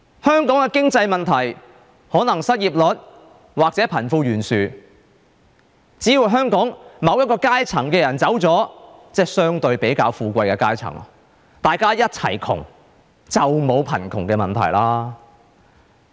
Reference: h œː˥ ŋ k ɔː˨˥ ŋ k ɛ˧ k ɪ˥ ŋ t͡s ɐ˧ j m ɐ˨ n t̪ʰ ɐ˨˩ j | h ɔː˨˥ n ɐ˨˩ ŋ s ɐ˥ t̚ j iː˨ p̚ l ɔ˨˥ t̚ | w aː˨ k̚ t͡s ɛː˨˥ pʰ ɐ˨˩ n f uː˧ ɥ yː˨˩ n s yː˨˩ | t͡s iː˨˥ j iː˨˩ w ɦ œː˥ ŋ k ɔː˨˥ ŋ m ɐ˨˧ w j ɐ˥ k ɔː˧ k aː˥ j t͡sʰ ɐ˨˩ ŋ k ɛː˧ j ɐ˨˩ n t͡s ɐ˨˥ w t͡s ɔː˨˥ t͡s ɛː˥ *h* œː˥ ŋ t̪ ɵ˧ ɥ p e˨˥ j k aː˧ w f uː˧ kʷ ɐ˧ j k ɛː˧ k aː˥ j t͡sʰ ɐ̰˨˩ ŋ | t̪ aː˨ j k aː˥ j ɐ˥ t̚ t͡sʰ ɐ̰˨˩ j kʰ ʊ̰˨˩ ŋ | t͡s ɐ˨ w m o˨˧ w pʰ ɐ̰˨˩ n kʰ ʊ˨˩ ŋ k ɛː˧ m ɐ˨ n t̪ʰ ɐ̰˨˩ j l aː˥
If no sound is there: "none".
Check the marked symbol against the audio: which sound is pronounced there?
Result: s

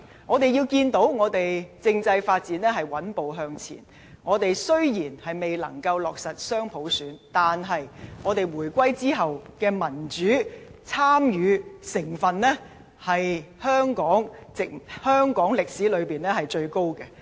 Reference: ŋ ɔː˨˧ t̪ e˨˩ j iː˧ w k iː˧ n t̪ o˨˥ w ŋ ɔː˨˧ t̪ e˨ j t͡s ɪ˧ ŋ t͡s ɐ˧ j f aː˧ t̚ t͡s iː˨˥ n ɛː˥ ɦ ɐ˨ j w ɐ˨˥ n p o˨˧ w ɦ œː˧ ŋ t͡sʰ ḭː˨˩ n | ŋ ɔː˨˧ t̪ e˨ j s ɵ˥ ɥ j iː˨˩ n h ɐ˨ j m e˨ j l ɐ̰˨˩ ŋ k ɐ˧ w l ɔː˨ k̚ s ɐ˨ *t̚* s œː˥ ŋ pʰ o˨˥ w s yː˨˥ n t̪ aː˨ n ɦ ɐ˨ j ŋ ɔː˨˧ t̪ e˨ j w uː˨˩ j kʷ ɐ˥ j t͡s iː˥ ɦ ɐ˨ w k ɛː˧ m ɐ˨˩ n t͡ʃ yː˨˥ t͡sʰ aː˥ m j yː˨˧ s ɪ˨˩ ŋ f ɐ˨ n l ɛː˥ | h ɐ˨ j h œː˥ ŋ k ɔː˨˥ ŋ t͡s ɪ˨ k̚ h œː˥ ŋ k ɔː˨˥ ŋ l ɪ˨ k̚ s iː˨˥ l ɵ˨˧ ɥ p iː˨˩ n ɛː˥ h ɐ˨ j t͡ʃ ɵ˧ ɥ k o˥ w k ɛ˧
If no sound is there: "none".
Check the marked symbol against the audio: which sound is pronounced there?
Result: t̚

